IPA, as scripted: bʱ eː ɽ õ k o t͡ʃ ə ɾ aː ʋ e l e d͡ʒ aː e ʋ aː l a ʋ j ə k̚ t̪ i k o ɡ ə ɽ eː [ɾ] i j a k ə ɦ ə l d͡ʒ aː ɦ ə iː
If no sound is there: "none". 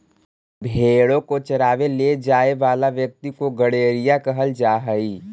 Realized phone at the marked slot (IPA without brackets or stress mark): ɾ